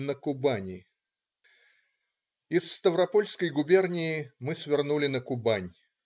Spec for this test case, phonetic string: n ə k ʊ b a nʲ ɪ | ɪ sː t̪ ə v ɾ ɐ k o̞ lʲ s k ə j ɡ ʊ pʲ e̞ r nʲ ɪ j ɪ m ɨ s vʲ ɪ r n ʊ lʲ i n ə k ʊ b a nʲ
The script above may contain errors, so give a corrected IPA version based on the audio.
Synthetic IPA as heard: n ə k ʊ b a nʲ ɪ | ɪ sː t̪ ə v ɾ ɐ p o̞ lʲ s k ə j ɡ ʊ bʲ e̞ r nʲ ɪ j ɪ m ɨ s vʲ ɪ r n u lʲ ɪ n ə k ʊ b a nʲ

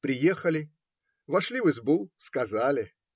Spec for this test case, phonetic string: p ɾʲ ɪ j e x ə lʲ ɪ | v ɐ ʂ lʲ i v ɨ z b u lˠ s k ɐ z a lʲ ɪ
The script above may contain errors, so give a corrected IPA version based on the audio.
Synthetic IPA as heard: p ɾʲ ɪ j e x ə lʲ ɪ | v ɐ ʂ lʲ i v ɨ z b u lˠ s k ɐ z a lʲ ɪ

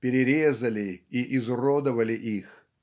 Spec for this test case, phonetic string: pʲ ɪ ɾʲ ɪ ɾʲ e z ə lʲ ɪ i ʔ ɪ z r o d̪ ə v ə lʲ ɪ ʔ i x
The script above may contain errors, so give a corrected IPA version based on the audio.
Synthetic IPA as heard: pʲ ɪ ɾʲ ɪ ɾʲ e z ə lʲ ɪ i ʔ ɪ z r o d̪ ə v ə lʲ ɪ ʔ i x

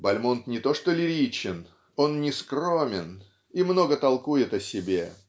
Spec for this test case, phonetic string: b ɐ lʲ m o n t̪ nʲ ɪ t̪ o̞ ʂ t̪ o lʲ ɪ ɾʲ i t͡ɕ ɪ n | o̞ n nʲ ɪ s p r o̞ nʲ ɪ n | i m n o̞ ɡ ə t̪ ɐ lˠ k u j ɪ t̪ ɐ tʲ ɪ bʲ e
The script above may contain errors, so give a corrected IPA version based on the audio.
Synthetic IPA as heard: b ɐ lʲ m o n t̪ nʲ ɪ t̪ o̞ ʂ t̪ o lʲ ɪ ɾʲ i t͡ɕ ɪ n | o̞ n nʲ ɪ s k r o̞ mʲ ɪ n | i m n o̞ ɡ ə t̪ ɐ lˠ k u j ɪ t̪ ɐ sʲ ɪ bʲ e

